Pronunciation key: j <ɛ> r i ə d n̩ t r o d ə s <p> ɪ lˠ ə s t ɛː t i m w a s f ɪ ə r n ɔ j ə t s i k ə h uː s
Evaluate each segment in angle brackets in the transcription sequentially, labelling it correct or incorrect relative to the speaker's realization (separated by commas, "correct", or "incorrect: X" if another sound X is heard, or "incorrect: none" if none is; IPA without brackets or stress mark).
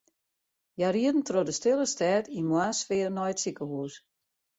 incorrect: a, incorrect: t